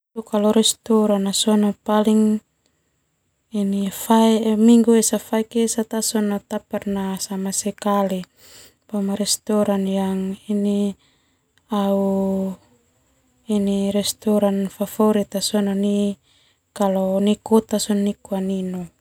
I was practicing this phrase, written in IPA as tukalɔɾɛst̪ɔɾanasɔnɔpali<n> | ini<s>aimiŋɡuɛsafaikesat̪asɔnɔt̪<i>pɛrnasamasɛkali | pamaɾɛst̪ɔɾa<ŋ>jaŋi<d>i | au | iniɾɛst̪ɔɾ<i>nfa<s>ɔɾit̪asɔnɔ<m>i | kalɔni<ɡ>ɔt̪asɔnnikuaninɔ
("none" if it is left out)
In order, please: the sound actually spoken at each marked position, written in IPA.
ŋ, f, a, n, n, a, f, n, k

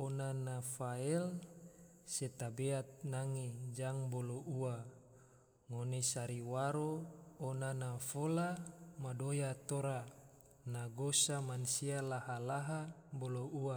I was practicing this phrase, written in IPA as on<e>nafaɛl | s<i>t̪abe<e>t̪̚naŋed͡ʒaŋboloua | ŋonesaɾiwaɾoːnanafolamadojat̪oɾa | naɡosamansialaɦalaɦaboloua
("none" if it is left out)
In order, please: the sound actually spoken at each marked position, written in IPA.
a, e, a

